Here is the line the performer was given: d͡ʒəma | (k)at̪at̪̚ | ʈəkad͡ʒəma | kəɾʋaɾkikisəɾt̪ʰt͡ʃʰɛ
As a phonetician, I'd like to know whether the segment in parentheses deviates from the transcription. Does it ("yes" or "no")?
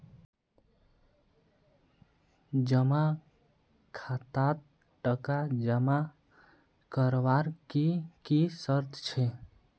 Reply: yes